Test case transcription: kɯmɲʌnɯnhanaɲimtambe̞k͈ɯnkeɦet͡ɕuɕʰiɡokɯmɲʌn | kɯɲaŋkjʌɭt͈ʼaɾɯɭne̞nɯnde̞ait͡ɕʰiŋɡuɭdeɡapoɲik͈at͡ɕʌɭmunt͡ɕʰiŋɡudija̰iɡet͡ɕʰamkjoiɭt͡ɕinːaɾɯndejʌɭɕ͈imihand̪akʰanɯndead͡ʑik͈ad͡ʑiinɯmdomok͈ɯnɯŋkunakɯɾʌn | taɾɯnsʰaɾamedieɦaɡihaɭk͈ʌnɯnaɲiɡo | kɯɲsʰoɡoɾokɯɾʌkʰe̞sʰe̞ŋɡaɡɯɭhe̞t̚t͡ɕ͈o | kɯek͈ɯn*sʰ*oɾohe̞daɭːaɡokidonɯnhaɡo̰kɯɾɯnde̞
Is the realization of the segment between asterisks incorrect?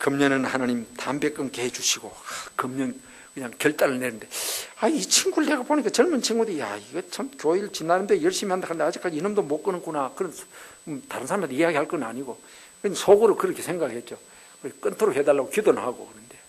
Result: yes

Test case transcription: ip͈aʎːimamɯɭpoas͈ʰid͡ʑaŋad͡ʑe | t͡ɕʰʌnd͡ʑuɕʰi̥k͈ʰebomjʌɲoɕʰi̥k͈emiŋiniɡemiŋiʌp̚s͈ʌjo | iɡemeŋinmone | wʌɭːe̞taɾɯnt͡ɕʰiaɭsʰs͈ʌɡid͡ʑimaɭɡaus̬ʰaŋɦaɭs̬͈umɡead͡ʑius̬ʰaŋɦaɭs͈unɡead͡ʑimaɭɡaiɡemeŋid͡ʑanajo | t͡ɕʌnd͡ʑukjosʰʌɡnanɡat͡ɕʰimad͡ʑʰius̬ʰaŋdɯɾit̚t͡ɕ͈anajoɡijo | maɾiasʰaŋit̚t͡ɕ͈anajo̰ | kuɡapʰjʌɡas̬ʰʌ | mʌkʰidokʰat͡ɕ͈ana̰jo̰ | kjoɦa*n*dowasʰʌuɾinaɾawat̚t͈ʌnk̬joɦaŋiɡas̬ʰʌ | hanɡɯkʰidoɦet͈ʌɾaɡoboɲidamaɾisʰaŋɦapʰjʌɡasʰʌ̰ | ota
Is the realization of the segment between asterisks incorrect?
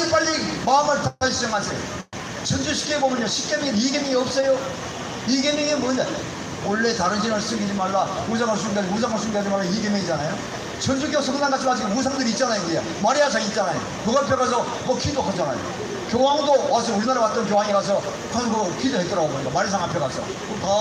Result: yes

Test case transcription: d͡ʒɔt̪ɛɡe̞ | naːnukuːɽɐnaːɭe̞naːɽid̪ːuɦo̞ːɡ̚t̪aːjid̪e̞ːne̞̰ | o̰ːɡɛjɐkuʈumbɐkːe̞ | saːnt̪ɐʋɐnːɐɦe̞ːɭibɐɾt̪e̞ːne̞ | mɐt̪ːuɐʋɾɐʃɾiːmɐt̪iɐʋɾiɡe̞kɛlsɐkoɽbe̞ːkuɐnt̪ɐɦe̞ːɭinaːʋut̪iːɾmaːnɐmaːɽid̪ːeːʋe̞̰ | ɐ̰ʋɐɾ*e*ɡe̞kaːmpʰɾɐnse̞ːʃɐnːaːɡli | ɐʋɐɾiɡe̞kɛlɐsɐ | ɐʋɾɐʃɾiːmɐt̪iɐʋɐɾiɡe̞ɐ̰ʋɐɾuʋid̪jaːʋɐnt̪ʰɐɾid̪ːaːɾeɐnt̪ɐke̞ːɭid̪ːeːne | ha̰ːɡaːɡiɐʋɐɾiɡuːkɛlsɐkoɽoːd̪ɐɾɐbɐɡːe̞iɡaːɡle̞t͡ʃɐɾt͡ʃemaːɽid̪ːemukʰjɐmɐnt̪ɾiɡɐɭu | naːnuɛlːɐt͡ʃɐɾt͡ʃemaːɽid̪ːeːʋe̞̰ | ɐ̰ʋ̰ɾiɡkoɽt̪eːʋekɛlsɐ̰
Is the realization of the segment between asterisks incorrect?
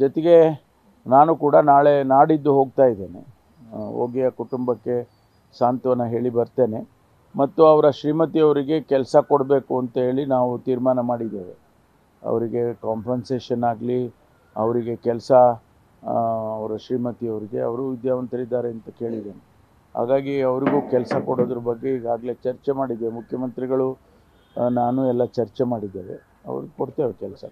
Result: yes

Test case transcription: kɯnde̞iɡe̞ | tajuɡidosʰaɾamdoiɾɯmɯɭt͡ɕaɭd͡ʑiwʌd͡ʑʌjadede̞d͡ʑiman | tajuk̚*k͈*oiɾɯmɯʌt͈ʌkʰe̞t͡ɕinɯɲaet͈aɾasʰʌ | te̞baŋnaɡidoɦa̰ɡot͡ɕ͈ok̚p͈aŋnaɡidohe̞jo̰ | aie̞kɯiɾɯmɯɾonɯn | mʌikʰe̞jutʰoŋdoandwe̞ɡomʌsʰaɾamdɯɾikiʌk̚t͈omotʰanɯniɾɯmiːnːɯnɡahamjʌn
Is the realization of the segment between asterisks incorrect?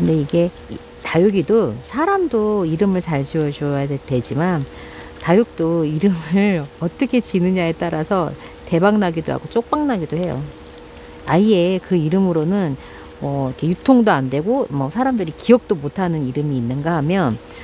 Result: yes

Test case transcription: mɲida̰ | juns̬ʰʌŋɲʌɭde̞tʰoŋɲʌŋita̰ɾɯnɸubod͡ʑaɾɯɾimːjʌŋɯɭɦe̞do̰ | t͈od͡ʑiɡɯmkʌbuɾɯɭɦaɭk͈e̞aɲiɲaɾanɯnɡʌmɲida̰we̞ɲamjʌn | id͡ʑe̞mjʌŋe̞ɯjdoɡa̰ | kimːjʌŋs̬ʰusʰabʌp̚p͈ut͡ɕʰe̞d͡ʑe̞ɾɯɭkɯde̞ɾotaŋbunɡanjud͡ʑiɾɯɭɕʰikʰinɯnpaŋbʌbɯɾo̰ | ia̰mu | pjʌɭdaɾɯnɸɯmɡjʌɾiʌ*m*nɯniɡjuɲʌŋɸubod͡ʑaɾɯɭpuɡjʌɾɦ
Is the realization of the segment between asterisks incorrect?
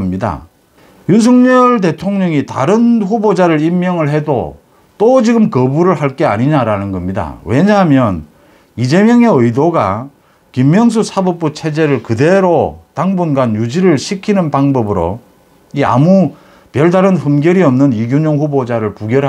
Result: no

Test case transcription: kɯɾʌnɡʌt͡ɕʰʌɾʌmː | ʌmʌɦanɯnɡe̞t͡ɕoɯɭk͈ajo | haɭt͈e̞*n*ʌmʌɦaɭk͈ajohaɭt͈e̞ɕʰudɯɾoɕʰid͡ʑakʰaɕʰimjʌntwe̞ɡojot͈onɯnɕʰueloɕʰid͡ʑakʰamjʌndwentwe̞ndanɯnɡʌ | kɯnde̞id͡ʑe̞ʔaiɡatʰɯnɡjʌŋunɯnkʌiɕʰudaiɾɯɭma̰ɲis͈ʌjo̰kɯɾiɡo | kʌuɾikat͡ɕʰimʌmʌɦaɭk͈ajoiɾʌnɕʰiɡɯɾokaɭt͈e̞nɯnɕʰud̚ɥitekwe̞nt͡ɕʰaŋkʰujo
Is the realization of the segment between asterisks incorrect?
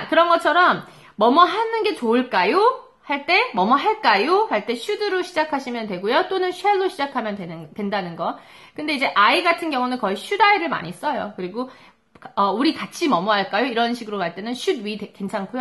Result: yes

